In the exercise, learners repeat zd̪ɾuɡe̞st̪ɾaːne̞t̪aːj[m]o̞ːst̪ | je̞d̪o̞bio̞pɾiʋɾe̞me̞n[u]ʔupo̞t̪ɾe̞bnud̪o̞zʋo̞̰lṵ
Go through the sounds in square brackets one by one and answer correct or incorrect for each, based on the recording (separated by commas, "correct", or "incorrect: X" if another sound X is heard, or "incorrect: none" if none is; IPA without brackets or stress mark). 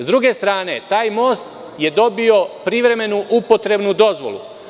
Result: correct, correct